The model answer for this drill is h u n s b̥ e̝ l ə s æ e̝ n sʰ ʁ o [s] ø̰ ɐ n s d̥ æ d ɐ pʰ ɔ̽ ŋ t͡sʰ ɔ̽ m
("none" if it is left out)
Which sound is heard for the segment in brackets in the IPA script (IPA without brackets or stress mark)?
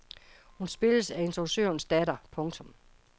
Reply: s